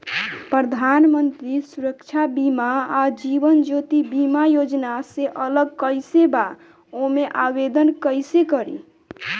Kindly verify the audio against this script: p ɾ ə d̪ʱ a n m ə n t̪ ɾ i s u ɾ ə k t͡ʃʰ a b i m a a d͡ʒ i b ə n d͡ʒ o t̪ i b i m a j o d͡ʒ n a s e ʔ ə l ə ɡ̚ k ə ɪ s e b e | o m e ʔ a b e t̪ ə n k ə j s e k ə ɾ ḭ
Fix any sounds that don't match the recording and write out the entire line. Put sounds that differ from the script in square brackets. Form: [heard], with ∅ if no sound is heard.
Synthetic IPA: p ɾ ə d̪ʱ a n m ə n t̪ ɾ i s u ɾ ə k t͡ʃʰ a b i m a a d͡ʒ i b ə n d͡ʒ o t̪ i b i m a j o d͡ʒ n a s e ʔ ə l ə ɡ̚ k ə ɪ s e b [a] | o m e ʔ a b e [d̪] ə n k ə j s e k ə ɾ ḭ